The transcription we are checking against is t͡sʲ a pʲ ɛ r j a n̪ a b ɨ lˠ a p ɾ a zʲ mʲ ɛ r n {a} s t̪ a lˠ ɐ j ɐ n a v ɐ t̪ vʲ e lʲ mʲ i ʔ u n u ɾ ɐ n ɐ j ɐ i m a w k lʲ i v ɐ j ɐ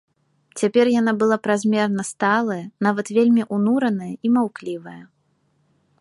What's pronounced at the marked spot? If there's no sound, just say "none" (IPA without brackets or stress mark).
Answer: ɐ